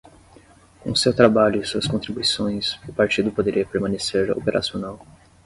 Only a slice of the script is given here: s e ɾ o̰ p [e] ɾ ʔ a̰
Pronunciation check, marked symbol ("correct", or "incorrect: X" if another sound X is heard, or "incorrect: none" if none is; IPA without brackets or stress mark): correct